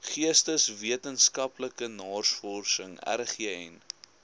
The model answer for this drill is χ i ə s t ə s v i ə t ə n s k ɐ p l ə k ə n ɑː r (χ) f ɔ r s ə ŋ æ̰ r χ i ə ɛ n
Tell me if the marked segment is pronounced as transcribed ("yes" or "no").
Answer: no